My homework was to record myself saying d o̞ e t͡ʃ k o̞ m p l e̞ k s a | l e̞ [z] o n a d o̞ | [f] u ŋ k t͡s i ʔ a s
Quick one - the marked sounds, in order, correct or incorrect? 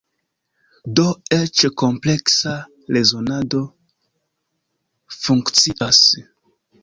correct, correct

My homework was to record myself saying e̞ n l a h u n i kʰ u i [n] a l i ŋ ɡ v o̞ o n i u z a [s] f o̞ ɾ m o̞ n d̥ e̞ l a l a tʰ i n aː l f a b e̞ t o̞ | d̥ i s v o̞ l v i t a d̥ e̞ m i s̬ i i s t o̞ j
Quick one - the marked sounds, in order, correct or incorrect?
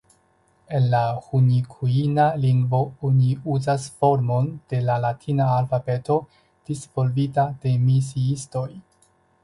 correct, correct

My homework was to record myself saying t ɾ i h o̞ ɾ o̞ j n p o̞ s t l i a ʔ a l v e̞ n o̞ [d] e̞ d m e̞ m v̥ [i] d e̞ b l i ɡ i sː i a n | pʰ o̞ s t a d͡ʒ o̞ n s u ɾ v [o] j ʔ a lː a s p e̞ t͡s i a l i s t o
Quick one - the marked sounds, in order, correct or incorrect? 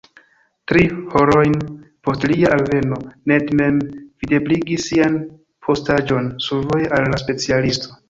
incorrect, correct, correct

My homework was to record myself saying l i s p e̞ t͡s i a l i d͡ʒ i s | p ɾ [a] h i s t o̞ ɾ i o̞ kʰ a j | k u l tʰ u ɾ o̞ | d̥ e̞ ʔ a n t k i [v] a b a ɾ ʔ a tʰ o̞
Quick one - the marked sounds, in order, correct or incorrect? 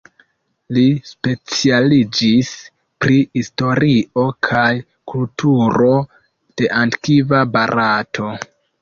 incorrect, correct

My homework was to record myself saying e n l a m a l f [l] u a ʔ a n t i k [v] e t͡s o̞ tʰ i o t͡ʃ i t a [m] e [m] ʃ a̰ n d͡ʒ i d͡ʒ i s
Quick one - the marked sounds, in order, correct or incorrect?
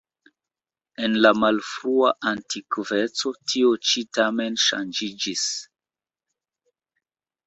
incorrect, correct, correct, incorrect

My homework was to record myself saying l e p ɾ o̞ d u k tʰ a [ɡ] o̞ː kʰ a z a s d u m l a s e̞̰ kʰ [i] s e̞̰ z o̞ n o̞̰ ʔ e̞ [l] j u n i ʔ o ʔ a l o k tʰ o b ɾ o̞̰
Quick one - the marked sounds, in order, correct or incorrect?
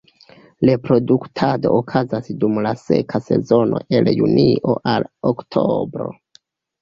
incorrect, incorrect, correct

